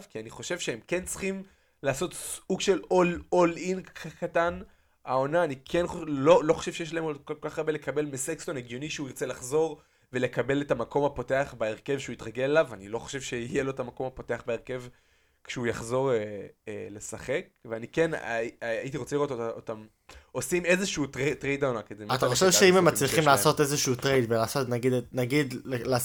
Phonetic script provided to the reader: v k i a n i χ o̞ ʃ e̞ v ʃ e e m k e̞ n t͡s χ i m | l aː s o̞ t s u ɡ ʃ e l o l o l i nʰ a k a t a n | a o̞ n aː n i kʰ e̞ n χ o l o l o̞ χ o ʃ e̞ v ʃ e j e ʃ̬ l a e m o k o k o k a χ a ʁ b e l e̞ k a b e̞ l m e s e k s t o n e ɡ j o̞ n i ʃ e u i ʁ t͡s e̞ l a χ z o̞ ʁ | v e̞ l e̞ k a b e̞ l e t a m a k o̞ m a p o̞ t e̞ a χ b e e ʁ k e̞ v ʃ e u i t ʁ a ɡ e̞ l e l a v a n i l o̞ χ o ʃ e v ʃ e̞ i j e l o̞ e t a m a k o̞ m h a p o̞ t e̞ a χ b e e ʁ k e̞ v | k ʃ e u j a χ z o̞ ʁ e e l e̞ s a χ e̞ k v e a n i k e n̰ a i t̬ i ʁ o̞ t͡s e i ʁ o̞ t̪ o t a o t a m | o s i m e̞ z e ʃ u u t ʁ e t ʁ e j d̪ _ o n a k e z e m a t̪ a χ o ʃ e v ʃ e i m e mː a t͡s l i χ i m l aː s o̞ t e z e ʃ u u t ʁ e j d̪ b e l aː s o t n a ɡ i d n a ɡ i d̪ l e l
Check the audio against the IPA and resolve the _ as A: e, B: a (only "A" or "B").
B